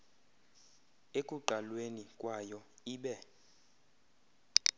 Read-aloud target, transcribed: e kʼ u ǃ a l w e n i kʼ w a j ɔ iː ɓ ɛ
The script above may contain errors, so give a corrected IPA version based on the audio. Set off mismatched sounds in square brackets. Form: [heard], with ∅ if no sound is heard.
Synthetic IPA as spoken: e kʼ u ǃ a l w e n i kʼ w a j ɔ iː ɓ ɛ